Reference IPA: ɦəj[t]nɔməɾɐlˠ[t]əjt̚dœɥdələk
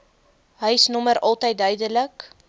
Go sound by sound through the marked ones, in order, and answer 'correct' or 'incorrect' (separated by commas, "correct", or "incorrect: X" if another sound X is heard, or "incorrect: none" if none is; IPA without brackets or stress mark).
incorrect: s, correct